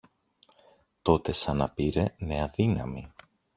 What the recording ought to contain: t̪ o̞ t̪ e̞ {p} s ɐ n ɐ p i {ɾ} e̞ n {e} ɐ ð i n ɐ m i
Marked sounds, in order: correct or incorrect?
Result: incorrect: none, correct, correct

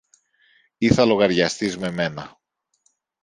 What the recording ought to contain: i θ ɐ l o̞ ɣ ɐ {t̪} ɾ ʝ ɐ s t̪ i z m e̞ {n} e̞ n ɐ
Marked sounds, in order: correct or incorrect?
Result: incorrect: none, incorrect: m

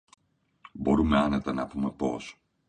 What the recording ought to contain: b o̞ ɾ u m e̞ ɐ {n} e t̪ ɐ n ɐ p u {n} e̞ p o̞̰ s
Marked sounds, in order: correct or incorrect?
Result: correct, incorrect: m

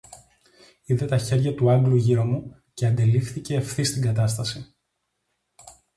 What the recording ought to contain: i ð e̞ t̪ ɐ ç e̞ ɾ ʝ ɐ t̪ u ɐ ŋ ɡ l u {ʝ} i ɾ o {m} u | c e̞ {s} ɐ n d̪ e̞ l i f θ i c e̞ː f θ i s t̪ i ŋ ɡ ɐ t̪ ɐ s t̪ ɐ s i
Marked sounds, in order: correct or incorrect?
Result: correct, correct, incorrect: none

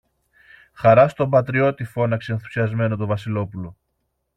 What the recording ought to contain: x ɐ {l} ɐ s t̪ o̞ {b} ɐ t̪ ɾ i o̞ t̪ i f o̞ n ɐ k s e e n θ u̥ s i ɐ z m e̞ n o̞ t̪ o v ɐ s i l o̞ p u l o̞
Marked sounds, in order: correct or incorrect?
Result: incorrect: ɾ, correct

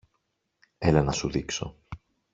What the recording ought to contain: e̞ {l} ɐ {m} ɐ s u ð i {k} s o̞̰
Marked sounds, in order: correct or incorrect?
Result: correct, incorrect: n, correct

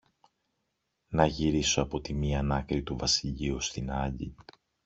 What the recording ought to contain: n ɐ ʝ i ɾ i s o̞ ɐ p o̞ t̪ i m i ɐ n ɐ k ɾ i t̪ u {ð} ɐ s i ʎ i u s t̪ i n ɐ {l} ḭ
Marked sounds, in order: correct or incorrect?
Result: incorrect: v, incorrect: ʎ

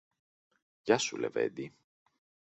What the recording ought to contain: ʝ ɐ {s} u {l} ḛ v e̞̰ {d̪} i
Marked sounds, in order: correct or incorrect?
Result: correct, correct, correct

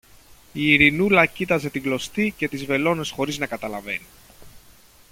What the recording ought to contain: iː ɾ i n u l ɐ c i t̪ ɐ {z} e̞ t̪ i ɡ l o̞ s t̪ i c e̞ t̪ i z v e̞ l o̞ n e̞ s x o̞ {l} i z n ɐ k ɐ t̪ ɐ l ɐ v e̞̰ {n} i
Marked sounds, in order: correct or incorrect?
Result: correct, incorrect: ɾ, correct

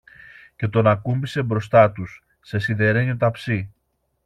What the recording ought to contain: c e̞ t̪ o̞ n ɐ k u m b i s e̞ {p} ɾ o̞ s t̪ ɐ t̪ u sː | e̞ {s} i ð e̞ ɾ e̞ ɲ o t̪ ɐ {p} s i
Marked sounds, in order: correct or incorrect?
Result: incorrect: b, correct, correct

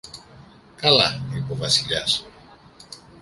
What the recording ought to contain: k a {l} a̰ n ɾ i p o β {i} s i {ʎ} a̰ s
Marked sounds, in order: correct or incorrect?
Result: correct, incorrect: a, correct

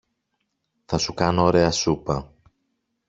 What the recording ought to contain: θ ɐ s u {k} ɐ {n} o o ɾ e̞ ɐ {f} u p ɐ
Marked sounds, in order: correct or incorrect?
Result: correct, correct, incorrect: s

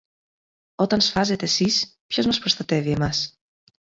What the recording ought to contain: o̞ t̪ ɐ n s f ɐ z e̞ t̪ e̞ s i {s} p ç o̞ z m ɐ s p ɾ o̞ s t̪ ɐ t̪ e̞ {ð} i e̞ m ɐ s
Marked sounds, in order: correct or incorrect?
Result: correct, incorrect: v

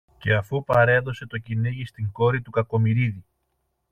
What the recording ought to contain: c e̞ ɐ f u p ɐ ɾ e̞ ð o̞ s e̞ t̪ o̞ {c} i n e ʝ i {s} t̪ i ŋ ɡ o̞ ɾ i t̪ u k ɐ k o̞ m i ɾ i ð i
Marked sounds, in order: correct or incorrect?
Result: correct, correct

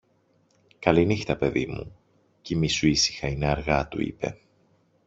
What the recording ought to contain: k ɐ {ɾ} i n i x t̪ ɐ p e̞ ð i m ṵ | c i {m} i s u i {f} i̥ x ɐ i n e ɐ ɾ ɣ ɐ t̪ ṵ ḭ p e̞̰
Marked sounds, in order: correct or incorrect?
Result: incorrect: l, correct, incorrect: s

